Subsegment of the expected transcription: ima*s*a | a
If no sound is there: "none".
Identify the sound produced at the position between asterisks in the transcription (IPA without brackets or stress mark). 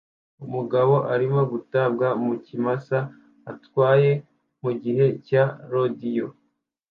s